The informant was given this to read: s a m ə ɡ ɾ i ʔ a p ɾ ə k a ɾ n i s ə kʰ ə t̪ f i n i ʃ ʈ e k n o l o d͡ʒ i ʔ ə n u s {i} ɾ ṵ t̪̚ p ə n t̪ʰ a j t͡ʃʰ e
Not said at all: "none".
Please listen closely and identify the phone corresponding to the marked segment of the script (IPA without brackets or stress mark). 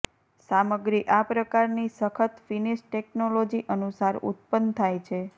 a